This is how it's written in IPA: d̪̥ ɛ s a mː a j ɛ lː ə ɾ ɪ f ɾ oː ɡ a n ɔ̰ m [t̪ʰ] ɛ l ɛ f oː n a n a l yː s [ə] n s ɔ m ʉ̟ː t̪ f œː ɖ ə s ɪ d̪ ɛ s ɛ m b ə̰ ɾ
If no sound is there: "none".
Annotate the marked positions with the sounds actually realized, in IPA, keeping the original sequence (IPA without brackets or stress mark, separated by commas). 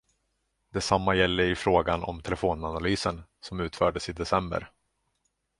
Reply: t̪ʰ, ə